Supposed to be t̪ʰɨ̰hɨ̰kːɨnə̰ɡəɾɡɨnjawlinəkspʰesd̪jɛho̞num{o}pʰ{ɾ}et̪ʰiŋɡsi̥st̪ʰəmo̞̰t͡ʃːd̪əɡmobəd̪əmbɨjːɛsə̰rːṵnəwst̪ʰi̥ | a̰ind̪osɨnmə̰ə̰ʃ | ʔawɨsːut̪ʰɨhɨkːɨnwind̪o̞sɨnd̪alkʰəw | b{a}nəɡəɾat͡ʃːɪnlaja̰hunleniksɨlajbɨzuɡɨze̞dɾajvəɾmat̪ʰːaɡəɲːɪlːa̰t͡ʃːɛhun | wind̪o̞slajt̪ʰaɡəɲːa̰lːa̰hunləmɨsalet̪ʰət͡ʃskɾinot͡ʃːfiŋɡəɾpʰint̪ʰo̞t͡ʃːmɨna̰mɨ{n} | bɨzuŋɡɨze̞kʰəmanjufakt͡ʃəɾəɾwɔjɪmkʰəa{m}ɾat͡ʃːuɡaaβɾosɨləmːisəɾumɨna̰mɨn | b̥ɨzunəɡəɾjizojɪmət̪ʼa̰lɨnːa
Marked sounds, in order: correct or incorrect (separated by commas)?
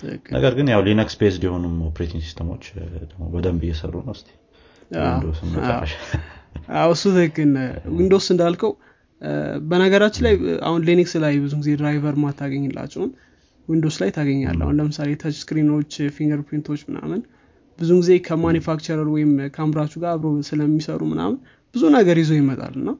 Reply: correct, correct, incorrect, correct, correct